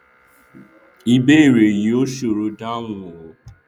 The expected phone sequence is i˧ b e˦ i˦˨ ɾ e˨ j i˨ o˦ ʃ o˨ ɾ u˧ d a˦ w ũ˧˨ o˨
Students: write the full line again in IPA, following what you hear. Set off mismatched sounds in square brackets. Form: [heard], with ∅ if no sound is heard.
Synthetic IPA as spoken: i˧ b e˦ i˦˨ ɾ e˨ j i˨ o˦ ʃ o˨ ɾ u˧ d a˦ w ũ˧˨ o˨